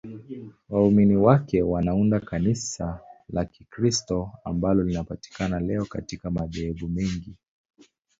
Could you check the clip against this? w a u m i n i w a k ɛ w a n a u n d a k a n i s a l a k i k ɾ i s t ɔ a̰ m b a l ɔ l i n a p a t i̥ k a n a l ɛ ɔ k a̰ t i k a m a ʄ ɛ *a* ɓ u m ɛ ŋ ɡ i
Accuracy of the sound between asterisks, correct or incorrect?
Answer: incorrect